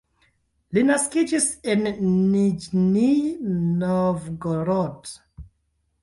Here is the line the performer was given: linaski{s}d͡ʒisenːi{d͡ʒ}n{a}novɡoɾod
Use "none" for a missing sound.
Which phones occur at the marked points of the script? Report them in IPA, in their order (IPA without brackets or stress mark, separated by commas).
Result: none, d͡ʒ, i